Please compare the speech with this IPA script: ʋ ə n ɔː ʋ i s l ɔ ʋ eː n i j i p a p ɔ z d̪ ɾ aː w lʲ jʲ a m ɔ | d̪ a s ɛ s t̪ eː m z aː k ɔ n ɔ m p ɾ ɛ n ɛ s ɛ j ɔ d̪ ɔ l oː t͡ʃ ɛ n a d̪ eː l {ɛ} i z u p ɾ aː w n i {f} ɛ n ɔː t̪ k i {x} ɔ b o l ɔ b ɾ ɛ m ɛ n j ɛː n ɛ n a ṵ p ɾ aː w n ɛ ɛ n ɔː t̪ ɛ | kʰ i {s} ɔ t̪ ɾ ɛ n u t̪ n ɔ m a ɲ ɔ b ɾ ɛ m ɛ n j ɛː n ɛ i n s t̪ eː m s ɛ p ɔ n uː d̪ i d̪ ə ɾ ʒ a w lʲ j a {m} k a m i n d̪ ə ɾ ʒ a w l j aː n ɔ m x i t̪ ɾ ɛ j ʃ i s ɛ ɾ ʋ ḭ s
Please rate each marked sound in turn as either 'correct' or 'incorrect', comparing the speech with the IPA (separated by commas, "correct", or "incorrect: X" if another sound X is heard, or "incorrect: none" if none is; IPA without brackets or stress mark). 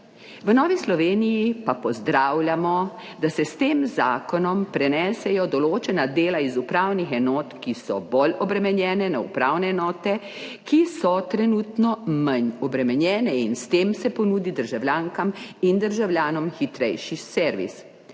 incorrect: a, incorrect: x, incorrect: s, correct, incorrect: ŋ